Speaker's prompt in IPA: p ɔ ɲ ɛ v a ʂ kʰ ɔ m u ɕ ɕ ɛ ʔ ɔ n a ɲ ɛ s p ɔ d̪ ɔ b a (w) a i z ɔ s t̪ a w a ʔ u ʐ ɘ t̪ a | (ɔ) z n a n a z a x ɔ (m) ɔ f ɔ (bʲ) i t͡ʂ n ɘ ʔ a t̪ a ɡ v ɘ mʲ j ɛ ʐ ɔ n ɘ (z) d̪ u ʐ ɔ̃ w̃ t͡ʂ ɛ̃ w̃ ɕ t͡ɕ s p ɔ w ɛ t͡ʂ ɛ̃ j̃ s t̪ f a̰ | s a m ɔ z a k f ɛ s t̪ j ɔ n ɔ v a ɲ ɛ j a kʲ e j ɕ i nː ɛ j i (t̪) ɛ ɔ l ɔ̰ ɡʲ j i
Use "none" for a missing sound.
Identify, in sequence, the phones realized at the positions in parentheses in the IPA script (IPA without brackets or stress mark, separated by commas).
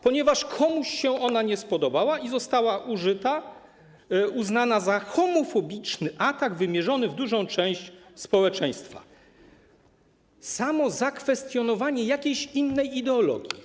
w, u, m, bʲ, v, d̪